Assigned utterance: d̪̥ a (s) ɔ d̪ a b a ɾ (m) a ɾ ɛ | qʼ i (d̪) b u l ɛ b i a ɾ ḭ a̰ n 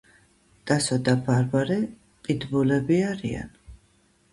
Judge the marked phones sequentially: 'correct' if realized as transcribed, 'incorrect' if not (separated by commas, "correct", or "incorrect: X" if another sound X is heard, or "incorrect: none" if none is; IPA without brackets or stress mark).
correct, incorrect: b, correct